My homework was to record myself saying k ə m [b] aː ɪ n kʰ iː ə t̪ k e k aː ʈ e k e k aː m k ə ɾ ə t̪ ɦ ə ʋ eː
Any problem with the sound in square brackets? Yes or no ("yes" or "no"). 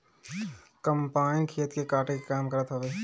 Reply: yes